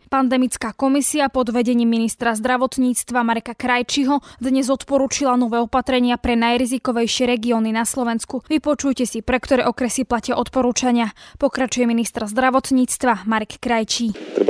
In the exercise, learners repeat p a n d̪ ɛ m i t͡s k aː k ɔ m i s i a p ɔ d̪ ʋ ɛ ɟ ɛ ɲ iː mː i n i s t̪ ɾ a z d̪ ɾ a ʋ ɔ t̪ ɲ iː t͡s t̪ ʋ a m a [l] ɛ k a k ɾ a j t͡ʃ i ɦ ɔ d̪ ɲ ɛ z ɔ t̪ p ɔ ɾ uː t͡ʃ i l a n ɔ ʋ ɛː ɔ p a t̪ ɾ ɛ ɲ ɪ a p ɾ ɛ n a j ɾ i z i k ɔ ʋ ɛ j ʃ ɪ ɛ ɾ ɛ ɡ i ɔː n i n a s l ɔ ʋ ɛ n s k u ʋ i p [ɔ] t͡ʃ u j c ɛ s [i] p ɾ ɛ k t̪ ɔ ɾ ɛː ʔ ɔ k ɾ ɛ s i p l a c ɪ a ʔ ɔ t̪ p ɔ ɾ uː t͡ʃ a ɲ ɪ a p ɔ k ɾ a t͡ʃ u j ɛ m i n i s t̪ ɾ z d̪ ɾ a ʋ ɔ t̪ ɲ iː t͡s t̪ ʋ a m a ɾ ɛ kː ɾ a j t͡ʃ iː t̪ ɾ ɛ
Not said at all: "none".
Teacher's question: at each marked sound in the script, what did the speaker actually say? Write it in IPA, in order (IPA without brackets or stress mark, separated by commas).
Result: ɾ, ɔ, i